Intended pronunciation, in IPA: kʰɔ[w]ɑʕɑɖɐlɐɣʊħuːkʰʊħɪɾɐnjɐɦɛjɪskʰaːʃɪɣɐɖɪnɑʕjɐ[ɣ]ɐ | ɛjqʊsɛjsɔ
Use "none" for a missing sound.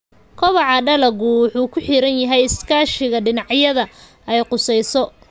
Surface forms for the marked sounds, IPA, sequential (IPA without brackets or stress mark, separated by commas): β, ð